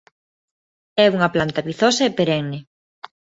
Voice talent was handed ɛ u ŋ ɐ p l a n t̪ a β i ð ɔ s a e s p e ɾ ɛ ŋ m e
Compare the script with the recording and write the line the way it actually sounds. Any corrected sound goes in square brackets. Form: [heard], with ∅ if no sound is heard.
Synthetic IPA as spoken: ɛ u ŋ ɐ p l a n t̪ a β i [θ] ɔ s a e [∅] p e ɾ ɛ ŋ [n] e